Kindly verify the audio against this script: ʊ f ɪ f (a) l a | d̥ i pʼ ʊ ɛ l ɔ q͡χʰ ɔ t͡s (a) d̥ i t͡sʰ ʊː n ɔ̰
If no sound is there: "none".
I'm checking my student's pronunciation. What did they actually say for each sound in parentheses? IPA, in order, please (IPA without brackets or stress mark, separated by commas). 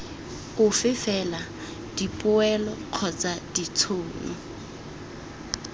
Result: ɛ, a